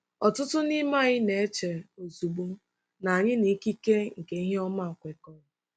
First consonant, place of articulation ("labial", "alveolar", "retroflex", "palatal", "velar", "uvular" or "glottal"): alveolar